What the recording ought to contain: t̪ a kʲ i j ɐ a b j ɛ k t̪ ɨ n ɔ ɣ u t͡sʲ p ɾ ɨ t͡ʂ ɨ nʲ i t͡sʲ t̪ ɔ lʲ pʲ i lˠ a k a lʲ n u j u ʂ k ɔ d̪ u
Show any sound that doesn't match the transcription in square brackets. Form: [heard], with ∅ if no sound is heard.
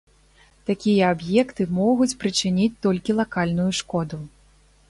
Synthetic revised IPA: t̪ a kʲ i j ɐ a b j ɛ k t̪ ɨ [m] ɔ ɣ u t͡sʲ p ɾ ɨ t͡ʂ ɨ nʲ i t͡sʲ t̪ ɔ lʲ [kʲ] i lˠ a k a lʲ n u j u ʂ k ɔ d̪ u